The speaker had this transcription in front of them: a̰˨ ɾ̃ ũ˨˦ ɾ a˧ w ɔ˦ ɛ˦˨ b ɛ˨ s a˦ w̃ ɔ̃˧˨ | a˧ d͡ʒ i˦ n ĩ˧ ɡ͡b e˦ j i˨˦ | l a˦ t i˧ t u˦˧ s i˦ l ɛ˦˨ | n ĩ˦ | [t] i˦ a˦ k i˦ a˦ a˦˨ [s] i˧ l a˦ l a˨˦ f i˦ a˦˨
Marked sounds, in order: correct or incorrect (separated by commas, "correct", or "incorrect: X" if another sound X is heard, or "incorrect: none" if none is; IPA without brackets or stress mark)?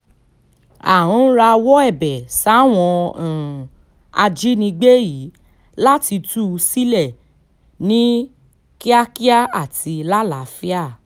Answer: incorrect: k, incorrect: t